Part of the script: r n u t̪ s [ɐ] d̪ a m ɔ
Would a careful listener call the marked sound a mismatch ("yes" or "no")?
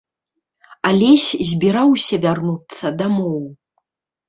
no